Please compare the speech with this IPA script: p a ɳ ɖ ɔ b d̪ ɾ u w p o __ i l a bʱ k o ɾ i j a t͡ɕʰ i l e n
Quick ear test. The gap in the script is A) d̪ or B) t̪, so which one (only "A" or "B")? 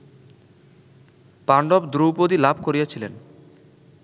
A